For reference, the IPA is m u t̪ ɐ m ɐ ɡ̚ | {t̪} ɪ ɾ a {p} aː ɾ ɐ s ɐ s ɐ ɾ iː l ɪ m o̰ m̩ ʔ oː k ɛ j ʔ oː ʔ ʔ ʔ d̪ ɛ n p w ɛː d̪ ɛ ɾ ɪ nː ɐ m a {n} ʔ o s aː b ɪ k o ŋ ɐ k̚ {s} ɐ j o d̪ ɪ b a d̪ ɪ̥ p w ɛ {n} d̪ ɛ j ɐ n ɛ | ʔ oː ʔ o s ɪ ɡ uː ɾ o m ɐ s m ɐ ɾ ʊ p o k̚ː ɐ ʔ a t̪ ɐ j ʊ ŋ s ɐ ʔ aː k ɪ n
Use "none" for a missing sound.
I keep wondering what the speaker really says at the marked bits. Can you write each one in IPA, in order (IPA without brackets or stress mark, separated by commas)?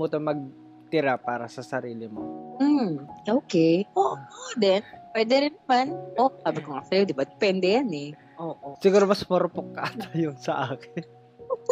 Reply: t̪, p, n, s, n